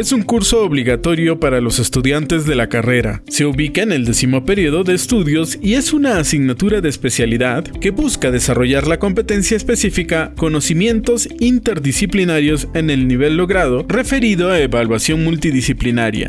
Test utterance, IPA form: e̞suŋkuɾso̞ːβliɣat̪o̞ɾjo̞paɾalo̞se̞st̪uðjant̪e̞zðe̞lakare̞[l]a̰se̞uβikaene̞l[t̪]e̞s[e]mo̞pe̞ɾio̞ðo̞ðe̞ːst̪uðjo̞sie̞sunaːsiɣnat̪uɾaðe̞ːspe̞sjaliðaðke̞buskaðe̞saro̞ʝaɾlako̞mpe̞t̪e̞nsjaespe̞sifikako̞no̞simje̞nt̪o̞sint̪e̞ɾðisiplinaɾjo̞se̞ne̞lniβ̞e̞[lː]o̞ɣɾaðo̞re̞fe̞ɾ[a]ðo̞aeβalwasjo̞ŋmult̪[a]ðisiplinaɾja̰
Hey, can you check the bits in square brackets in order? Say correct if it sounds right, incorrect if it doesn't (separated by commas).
incorrect, incorrect, incorrect, correct, incorrect, incorrect